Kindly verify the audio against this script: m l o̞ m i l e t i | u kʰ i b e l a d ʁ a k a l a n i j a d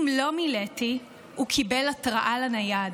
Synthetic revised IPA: m l o̞ m i l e t i | u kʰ i b e l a t ʁ a ʔ a l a n a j a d

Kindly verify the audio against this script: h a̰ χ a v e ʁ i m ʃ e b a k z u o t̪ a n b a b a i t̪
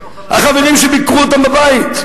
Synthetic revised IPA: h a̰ χ a v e ʁ i m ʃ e b i k ʁ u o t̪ a m b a b a i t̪

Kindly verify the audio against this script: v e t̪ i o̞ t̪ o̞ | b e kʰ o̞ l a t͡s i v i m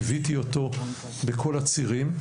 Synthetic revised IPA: v i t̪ i o̞ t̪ o̞ | b e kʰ o̞ l a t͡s i ʁ i m

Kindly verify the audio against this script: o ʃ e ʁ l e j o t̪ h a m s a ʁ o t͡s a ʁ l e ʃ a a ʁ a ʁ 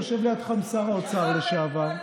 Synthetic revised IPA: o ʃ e v l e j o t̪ χ a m s a ʁ o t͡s a ʁ l e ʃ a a v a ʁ

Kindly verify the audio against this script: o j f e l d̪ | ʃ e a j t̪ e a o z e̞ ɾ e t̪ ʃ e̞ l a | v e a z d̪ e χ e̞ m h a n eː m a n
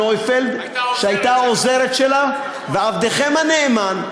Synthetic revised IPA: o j f e l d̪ | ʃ e a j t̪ a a o z e̞ ɾ e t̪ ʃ e̞ l a | v e a v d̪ e χ e̞ m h a n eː m a n

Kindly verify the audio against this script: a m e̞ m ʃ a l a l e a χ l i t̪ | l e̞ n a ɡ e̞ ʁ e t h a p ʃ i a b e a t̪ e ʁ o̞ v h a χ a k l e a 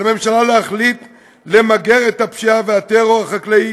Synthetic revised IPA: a m e̞ m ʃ a l a l e a χ l i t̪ | l e̞ m a ɡ e̞ ʁ e t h a p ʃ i a v e a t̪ e ʁ o̞ ʁ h a χ a k l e i

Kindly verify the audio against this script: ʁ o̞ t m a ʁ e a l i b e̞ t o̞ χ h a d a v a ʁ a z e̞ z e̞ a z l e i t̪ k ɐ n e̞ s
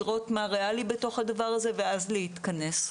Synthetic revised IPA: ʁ o̞ t m a ʁ e a l i b e̞ t o̞ χ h a d a v a ʁ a z e̞ v e̞ a z l e i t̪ k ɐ n e̞ s

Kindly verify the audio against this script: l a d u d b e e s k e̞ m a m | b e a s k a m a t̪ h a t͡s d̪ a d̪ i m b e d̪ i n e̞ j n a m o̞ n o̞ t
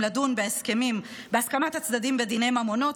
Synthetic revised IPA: l a d u n b e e s k e̞ m i m | b e a s k a m a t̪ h a t͡s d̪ a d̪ i m b e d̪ i n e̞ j m a m o̞ n o̞ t

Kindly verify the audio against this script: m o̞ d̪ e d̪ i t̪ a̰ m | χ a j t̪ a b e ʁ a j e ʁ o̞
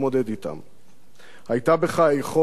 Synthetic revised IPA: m o̞ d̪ e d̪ i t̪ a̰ m | h a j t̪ a b e χ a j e χ o̞

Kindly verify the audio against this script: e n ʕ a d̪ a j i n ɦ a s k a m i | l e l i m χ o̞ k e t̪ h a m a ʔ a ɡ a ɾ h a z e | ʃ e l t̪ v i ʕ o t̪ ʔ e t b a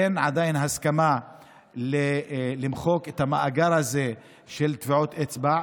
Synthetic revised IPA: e n ʕ a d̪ a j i n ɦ a s k a m a | l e l i m χ o̞ k e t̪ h a m a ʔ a ɡ a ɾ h a z e | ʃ e l t̪ v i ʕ o t̪ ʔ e t͡s b a

